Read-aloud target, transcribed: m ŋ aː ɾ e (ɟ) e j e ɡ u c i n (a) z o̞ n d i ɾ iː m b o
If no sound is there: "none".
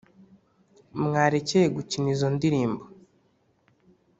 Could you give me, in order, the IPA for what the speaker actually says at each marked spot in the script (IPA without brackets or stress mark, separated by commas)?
c, i